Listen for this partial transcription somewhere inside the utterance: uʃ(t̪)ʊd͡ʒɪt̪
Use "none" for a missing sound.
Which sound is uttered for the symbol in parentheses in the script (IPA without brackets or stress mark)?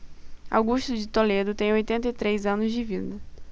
t̪